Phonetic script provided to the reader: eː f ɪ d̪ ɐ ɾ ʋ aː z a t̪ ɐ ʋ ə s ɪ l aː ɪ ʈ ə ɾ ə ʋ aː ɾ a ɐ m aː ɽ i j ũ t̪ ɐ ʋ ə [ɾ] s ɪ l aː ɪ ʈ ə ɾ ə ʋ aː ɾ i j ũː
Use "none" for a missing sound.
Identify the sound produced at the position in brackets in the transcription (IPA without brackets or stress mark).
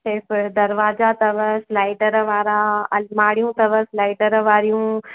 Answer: none